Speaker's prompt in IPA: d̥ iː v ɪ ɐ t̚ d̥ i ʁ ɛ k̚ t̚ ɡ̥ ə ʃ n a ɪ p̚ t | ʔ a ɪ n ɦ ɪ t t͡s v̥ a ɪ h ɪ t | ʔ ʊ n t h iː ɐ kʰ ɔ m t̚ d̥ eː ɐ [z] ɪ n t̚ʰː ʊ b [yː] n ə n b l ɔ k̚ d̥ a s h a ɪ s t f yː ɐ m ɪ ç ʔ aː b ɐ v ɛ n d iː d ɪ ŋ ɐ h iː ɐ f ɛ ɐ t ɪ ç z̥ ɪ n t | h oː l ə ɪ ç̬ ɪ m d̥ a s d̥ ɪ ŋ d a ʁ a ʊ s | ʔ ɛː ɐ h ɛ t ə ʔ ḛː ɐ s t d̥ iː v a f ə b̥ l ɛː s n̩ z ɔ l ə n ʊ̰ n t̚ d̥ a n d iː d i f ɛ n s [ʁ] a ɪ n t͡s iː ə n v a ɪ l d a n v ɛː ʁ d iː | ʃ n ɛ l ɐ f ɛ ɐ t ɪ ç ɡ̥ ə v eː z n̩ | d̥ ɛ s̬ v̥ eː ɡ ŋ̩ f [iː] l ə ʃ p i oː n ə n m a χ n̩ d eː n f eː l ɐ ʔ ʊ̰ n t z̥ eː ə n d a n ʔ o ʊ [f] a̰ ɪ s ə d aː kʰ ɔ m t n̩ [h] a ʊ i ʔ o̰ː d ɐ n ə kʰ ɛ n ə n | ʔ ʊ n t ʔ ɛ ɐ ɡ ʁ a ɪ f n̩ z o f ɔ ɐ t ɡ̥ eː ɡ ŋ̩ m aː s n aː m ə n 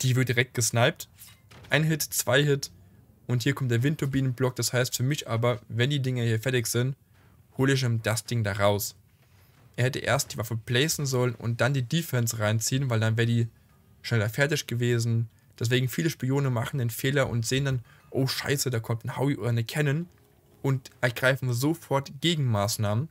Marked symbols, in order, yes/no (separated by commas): no, no, yes, yes, no, yes